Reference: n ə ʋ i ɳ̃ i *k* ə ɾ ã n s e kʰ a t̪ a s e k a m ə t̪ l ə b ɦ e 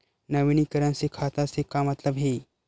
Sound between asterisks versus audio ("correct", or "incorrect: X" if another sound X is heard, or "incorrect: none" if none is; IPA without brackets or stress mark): correct